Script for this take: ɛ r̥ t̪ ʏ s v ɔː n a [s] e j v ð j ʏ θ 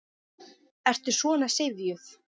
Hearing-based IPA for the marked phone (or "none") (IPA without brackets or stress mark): s